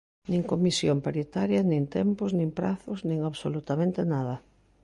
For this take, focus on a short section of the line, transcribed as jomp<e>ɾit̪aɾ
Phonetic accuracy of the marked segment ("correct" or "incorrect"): incorrect